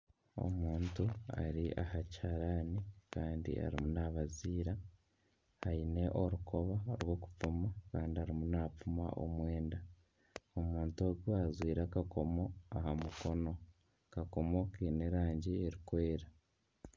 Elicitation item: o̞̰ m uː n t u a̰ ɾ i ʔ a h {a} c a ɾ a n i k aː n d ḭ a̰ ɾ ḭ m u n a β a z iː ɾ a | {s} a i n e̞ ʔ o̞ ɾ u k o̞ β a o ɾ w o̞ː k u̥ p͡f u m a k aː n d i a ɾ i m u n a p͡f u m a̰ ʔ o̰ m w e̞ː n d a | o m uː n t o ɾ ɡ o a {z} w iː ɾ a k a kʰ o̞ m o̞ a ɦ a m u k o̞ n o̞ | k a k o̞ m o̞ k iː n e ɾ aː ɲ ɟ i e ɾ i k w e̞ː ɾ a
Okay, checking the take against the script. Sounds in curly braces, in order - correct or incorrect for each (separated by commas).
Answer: correct, incorrect, correct